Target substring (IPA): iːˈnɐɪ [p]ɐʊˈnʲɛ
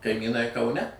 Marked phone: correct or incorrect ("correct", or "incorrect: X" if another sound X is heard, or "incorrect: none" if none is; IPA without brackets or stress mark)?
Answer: incorrect: k